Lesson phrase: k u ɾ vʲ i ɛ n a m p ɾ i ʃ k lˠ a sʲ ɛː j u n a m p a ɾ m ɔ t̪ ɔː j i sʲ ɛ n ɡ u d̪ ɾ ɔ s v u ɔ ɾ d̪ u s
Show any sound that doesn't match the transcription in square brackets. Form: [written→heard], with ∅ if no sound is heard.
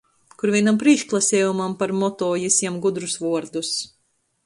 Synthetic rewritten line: k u ɾ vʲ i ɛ n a m p ɾ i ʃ k lˠ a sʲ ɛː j u [n→m] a m p a ɾ m ɔ t̪ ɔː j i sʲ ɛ [n→m] ɡ u d̪ ɾ [ɔ→u] s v u ɔ ɾ d̪ u s